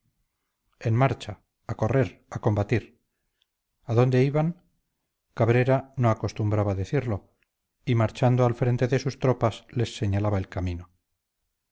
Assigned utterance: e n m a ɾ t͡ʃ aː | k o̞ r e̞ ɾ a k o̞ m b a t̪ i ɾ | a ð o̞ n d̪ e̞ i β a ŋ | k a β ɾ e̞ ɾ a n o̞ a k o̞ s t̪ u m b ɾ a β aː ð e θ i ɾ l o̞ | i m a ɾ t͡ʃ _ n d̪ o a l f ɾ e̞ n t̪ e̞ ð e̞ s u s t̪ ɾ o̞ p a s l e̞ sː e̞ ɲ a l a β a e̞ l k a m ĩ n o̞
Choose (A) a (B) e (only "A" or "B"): A